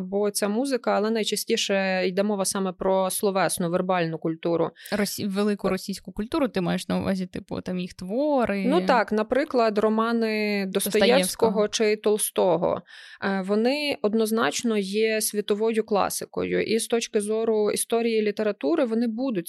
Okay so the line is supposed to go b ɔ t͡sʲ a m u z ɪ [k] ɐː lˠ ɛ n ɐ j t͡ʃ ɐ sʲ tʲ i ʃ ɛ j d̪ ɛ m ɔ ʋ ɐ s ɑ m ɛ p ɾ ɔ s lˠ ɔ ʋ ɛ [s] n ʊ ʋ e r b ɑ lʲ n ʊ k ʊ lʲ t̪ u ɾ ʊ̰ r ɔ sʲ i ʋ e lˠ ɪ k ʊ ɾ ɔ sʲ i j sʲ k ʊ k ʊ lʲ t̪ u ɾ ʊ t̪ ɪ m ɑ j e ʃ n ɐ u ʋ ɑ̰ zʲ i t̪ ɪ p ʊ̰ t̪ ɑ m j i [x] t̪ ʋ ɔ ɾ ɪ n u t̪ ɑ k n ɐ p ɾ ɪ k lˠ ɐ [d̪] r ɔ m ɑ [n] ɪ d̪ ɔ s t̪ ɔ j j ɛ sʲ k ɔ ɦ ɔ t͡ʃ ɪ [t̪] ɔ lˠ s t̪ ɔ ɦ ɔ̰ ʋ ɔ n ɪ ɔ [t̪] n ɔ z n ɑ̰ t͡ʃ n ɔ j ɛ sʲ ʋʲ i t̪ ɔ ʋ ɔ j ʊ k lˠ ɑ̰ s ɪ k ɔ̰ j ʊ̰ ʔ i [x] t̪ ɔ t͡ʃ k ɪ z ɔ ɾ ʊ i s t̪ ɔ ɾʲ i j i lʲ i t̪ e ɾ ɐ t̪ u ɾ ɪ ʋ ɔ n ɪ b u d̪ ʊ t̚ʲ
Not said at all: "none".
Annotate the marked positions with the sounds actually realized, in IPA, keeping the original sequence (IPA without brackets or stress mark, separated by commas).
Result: k, s, x, d̪, n, t̪, d̪, s